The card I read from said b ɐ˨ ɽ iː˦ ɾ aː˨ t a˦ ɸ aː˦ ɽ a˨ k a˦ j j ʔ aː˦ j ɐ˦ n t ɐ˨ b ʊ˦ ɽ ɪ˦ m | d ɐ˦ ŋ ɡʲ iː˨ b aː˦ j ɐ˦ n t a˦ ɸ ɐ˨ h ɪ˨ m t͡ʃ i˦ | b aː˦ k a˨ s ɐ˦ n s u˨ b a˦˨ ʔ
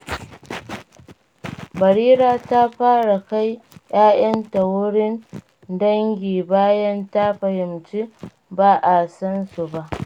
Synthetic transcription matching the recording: b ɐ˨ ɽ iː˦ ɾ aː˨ t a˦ ɸ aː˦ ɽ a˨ k a˦ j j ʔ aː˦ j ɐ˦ n t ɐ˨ w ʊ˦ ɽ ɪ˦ n | d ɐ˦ ŋ ɡʲ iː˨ b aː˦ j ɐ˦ n t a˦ ɸ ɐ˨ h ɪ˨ m t͡ʃ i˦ | b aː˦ ʔ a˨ s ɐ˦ n s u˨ b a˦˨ ʔ